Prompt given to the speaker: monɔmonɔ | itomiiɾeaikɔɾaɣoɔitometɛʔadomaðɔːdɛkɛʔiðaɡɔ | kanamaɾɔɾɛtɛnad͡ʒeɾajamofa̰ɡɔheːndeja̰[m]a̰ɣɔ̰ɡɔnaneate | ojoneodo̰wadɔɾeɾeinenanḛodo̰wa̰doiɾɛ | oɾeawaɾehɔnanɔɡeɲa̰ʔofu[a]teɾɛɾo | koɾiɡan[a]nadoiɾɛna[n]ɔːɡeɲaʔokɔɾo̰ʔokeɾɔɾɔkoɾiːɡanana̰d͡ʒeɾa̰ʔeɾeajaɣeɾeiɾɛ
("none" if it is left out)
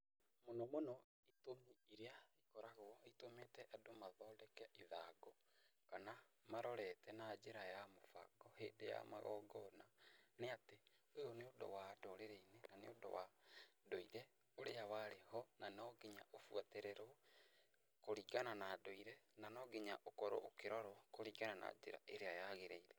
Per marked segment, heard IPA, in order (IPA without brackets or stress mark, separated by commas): m, a, a, n